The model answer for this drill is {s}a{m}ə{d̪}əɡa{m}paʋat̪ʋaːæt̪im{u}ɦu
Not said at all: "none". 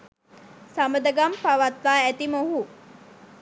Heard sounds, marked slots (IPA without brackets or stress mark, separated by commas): s, m, d̪, m, o